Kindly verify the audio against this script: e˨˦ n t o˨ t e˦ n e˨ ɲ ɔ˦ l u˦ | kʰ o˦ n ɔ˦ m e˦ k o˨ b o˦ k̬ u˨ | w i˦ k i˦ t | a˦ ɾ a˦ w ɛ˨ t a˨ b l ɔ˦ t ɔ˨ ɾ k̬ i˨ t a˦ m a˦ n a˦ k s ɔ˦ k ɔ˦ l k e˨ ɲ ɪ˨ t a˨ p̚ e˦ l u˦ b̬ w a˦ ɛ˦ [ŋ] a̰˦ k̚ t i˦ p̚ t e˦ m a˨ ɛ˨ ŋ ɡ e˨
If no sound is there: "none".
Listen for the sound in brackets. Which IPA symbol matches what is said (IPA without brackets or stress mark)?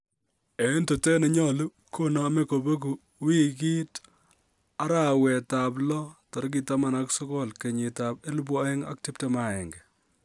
ŋ